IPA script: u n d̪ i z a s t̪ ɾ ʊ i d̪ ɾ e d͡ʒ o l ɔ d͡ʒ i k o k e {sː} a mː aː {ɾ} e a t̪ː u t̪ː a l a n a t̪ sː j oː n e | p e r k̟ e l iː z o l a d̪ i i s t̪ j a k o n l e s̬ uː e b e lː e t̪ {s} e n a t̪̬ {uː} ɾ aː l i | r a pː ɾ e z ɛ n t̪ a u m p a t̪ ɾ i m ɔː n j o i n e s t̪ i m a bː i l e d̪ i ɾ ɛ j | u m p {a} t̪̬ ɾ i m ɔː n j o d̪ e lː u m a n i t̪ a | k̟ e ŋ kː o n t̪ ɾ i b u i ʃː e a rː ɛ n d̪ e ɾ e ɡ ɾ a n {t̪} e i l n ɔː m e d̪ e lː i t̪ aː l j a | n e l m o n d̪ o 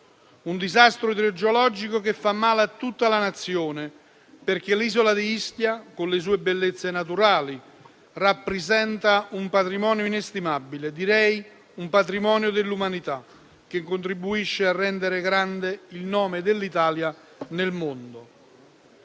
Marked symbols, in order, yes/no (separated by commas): no, no, no, no, yes, no